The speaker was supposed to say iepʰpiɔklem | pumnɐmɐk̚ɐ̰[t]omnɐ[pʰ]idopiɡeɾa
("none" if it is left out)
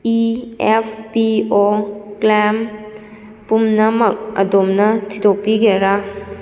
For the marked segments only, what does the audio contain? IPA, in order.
d, tʰ

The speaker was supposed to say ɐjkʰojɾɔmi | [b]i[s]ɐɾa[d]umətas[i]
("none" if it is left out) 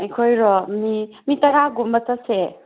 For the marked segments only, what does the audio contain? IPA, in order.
m, t, ɡ, e

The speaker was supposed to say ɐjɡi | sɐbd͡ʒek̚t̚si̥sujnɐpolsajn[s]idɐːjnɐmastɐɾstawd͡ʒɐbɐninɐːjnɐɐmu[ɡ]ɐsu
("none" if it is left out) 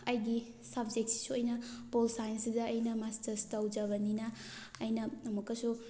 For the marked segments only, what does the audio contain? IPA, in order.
s, k

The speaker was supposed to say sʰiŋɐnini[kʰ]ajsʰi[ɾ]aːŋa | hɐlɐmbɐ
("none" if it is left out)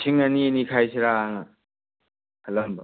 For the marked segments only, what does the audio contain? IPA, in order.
kʰ, ɾ

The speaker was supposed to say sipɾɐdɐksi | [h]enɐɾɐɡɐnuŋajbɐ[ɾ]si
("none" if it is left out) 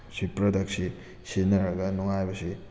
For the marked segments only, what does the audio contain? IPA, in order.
s, none

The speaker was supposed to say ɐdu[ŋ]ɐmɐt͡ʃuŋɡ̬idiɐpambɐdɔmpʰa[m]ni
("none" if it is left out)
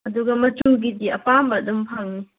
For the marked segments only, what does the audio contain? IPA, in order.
ɡ, ŋ

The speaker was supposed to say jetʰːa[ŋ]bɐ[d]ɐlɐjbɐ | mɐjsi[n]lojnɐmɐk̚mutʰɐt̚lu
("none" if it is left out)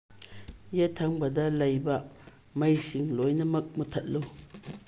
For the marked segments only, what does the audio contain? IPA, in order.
ŋ, d, ŋ

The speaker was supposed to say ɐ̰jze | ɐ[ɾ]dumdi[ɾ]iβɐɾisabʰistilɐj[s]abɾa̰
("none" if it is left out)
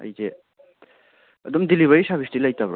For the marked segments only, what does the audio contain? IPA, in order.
none, l, t

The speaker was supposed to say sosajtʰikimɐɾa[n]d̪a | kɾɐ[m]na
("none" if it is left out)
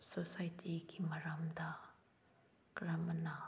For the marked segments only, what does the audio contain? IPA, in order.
m, m

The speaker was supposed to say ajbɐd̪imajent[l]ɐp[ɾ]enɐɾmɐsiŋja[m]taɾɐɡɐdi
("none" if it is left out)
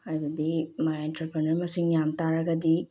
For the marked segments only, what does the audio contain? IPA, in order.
ɾ, ɾ, m

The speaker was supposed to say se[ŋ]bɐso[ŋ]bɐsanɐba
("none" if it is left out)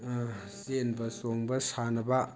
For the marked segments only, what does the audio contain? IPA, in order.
n, ŋ

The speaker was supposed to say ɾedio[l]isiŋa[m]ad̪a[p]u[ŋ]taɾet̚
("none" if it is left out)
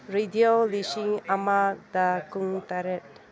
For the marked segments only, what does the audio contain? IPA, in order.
l, m, k, ŋ

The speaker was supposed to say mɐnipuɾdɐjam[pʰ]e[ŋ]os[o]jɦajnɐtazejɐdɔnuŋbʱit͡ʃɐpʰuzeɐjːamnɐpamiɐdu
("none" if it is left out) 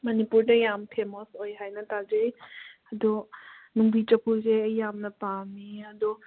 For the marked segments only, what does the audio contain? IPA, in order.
pʰ, m, o

